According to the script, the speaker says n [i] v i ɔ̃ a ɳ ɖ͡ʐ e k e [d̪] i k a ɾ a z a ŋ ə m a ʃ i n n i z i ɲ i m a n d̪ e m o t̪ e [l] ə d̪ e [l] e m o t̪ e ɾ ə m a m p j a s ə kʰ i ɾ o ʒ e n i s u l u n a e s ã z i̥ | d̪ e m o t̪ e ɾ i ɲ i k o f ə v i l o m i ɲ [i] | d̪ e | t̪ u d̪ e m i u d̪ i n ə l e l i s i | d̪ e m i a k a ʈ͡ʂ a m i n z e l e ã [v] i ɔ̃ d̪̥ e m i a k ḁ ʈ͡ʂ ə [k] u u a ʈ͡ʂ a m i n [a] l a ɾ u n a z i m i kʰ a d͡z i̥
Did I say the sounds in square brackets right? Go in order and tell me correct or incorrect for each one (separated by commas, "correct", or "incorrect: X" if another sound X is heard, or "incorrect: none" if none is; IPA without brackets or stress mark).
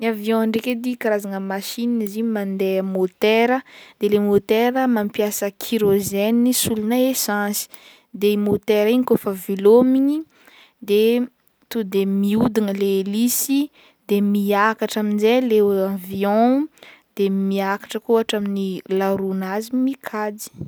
incorrect: a, correct, incorrect: ɾ, correct, correct, correct, correct, incorrect: i